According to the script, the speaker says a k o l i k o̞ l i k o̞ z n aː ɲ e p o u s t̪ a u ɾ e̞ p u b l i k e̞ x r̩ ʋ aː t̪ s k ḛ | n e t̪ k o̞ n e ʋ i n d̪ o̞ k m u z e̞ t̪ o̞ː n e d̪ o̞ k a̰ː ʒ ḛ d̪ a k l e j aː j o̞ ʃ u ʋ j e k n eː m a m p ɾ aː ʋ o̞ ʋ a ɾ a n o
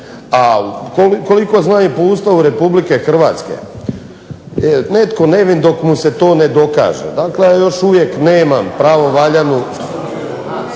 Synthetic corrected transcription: a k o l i k o̞ l i k o̞ z n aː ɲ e p o u s t̪ a u ɾ e̞ p u b l i k e̞ x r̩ ʋ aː t̪ s k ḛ | n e t̪ k o̞ n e ʋ i n d̪ o̞ k m u s e̞ t̪ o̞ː n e d̪ o̞ k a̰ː ʒ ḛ d̪ a k l e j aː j o̞ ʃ u ʋ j e k n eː m a m p ɾ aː ʋ o̞ ʋ a ʎ a n u